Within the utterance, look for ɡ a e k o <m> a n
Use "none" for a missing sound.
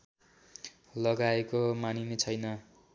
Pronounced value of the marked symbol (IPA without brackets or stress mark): m